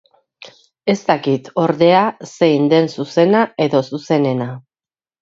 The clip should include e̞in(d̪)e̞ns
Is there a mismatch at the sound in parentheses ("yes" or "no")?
no